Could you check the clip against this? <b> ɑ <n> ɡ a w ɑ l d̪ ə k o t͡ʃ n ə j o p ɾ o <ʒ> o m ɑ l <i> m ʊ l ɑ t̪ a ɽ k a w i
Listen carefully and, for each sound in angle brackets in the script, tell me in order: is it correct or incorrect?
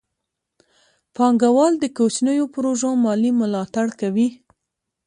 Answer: incorrect: p, incorrect: ŋ, correct, correct

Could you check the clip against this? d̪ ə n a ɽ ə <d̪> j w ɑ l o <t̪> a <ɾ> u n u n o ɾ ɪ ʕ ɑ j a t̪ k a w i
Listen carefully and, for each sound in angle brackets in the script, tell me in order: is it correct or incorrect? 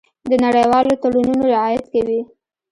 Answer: incorrect: none, correct, incorrect: ɽ

